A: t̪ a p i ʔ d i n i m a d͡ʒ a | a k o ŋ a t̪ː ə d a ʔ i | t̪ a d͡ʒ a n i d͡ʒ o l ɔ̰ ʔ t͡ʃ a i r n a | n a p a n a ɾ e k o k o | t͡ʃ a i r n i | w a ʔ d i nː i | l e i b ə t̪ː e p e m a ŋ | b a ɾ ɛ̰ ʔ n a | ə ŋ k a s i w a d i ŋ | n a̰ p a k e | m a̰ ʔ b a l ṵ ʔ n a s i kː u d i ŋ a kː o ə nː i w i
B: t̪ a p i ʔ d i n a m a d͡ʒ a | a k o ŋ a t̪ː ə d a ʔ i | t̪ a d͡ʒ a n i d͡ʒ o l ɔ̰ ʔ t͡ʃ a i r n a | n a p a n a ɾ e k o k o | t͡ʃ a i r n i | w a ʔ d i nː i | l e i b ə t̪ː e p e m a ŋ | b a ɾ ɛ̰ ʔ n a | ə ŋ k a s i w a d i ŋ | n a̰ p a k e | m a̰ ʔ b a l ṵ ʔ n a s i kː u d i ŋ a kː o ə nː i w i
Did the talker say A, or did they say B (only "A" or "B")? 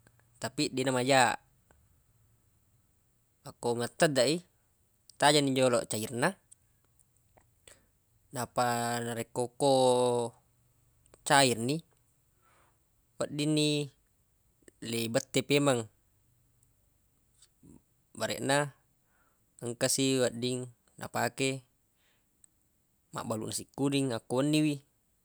B